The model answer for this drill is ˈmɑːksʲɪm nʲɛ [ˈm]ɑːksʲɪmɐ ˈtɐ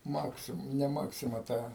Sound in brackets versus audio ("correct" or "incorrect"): correct